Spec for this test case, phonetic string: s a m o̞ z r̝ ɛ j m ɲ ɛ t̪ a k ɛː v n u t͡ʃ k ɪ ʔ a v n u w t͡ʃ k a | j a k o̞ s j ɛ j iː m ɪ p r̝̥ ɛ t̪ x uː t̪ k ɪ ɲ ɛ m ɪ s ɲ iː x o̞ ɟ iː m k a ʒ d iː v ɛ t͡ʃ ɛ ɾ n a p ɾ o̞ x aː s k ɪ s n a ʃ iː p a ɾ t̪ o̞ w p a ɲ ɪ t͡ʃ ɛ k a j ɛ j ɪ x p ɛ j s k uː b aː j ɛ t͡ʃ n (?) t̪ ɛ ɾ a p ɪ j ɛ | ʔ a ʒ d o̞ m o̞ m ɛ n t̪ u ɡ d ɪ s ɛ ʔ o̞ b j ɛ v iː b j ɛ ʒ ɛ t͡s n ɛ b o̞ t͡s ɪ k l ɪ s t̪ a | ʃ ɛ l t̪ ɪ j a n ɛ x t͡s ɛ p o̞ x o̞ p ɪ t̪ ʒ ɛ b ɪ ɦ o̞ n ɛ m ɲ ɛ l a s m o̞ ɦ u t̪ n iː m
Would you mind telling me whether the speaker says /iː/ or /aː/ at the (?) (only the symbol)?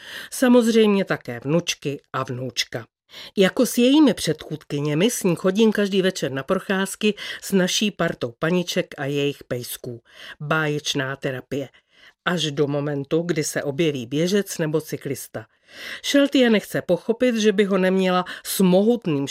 aː